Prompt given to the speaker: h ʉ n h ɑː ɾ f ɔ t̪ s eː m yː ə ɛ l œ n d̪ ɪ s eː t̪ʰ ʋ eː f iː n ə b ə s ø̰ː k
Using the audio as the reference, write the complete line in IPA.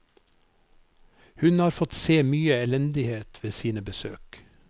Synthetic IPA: h ʉ n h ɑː ɾ f ɔ t̪ s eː m yː ə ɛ l ɛ n d̪ ɪ h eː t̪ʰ ʋ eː s iː n ə b ə s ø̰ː k